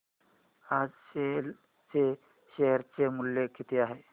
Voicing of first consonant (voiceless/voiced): voiced